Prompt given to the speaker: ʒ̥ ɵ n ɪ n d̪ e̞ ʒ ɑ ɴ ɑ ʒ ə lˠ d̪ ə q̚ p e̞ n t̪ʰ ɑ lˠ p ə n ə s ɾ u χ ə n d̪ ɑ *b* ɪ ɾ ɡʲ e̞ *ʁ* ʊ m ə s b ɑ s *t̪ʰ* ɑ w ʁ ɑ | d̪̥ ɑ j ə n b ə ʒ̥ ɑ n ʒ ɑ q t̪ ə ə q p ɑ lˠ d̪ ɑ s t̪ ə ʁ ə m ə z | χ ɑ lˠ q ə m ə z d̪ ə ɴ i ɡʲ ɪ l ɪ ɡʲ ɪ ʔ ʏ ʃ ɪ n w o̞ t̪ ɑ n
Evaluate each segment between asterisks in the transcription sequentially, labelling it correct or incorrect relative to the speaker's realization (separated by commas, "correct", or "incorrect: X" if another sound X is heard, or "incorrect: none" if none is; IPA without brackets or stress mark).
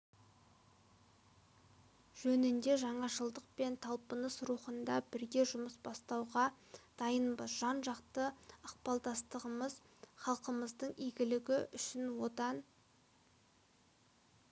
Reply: correct, incorrect: ʒ, incorrect: t̪